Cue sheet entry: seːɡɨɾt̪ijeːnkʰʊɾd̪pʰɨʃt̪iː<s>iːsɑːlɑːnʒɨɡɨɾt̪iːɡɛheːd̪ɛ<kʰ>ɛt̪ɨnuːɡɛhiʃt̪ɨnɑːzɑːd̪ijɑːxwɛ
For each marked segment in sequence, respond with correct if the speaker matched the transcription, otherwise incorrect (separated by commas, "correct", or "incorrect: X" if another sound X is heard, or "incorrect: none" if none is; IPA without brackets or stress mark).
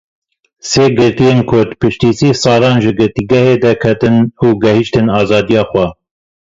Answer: correct, correct